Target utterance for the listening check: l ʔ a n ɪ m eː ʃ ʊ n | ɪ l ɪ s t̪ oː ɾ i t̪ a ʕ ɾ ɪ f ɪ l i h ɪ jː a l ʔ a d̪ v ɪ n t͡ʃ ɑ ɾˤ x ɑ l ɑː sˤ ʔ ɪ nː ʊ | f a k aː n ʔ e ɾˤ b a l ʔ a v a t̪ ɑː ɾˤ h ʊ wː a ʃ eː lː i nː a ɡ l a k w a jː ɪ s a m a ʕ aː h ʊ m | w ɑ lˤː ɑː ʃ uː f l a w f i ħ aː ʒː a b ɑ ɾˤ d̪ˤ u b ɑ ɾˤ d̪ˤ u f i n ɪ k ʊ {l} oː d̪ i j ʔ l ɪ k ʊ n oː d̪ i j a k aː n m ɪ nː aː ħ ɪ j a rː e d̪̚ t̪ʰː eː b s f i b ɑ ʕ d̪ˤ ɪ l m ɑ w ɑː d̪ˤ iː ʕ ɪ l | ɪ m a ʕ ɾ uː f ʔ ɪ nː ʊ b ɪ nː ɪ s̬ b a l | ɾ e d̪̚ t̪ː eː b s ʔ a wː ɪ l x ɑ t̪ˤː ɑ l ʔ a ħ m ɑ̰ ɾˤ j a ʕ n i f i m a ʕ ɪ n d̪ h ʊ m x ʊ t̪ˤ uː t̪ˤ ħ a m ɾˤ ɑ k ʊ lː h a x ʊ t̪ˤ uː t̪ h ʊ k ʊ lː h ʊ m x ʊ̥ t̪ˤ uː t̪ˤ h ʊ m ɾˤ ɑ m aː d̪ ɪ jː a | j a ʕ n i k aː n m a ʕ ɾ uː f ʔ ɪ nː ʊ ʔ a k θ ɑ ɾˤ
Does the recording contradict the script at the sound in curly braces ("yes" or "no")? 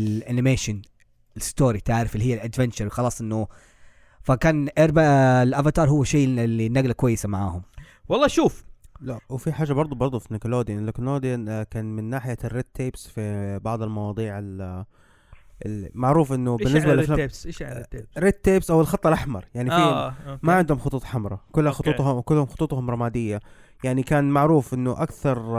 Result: no